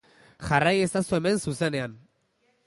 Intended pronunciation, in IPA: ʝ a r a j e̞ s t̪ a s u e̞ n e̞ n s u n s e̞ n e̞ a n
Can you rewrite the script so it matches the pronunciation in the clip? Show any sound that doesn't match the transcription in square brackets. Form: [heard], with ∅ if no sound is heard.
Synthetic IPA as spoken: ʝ a r a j e̞ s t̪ a s u e̞ [m] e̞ n s u [∅] s e̞ n e̞ a n